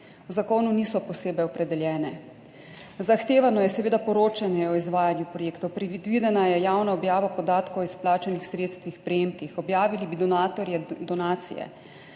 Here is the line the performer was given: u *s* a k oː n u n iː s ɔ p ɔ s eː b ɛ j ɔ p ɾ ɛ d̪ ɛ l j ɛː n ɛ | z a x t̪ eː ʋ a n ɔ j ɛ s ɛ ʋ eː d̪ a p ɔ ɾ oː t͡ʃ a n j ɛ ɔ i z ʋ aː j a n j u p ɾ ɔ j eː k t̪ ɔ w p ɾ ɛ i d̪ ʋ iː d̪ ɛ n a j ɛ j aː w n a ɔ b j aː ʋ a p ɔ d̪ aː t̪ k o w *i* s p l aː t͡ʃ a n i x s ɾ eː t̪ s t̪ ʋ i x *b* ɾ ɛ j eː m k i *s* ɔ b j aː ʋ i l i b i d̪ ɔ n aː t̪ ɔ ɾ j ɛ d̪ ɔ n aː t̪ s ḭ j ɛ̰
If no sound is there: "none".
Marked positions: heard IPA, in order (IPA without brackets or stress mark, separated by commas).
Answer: z, i, p, x